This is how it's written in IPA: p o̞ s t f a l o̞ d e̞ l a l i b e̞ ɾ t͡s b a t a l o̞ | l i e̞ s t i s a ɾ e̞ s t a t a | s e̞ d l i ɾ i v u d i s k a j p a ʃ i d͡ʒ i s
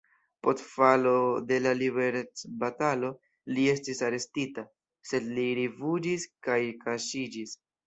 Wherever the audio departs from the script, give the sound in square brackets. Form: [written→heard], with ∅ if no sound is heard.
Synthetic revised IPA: p o̞ s t f a l o̞ d e̞ l a l i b e̞ ɾ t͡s b a t a l o̞ | l i e̞ s t i s a ɾ e̞ s t [a→i] t a | s e̞ d l i ɾ i v u [d→d͡ʒ] i s k a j [p→k] a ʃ i d͡ʒ i s